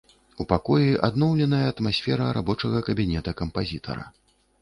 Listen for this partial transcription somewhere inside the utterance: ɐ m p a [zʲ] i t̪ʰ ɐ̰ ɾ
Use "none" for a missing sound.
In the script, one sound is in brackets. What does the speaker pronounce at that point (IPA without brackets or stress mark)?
zʲ